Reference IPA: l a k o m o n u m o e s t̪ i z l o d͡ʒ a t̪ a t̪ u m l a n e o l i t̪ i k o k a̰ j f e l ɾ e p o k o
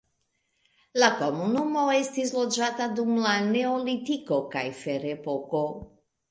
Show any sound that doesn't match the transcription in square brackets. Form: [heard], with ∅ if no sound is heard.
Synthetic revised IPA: l a k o m [u] n u m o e s t̪ i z l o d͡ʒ a t̪ a [d̪] u m l a n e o l i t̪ i k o k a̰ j f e [∅] ɾ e p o k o